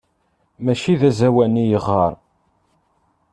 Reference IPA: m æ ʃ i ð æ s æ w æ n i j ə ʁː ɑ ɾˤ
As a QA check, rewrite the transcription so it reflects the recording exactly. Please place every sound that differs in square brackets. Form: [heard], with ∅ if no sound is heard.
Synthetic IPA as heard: m æ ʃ i ð æ [z] æ w æ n i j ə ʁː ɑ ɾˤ